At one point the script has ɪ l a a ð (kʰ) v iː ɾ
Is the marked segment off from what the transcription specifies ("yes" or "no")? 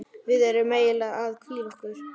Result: no